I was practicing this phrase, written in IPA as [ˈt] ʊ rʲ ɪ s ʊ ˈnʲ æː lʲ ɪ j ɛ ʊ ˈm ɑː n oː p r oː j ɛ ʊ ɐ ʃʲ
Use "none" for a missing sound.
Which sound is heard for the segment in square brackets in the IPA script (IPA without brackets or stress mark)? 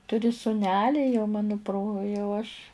t